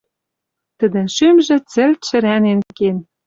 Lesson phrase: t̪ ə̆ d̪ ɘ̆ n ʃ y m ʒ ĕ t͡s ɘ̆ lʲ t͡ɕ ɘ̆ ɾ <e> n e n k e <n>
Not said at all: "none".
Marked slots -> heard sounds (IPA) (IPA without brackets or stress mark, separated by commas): æ, n